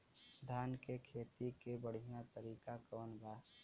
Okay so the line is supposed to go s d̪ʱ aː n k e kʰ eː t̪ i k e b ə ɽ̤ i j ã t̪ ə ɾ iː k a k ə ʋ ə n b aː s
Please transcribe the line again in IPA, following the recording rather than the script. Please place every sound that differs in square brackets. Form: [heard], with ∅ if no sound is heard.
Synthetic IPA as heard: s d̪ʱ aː n k e kʰ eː t̪ i k e b ə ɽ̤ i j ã t̪ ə ɾ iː k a k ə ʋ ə n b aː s